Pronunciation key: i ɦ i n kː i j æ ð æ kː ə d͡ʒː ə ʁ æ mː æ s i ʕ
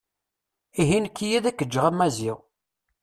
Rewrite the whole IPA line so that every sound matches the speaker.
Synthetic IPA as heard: i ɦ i n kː i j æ ð æ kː ə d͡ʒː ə ʁ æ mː æ z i ʁ